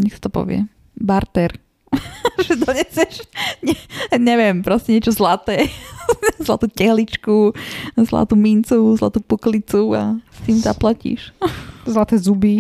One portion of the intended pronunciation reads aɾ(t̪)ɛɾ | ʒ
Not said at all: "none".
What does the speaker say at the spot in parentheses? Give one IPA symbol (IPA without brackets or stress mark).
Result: t̪